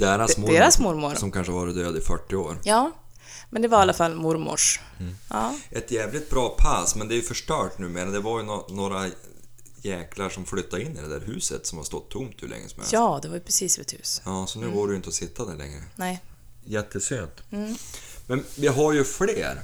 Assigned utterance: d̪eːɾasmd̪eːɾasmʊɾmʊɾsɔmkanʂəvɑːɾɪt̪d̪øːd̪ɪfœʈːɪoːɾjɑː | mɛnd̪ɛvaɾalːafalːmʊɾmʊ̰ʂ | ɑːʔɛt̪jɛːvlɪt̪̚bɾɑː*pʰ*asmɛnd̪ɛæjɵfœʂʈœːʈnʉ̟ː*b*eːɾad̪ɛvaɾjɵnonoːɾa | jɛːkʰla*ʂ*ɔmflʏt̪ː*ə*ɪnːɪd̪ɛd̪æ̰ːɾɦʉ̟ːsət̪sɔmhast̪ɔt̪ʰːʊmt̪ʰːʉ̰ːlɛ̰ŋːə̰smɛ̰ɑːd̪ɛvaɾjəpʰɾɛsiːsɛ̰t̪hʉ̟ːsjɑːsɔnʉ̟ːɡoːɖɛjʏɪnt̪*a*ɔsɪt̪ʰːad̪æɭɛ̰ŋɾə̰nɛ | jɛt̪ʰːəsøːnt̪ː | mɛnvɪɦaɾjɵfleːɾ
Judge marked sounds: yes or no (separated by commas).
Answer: yes, no, yes, no, no